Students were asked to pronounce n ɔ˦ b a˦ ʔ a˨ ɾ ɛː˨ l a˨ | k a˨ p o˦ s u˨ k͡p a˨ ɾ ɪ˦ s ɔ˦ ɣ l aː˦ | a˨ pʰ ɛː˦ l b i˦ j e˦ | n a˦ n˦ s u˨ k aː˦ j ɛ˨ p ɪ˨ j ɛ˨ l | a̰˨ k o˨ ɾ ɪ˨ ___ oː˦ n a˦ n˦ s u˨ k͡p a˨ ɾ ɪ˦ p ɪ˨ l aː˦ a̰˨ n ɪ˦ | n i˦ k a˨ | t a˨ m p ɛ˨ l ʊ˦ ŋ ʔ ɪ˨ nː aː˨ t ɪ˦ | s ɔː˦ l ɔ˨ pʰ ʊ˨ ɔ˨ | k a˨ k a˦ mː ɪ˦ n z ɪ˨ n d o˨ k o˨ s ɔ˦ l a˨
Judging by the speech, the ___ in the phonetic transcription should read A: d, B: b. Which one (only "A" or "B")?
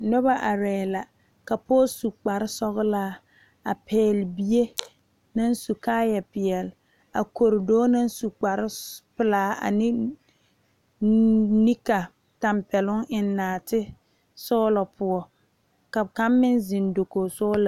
A